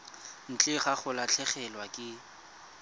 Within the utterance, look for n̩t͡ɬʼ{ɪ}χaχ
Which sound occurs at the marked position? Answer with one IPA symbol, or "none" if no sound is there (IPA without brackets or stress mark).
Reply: ɪ